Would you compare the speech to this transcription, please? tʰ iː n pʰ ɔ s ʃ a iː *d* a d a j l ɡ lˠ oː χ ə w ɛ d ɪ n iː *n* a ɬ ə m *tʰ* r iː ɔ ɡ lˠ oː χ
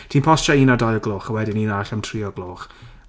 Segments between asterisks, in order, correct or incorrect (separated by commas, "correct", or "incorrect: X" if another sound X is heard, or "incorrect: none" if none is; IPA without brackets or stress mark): incorrect: n, correct, correct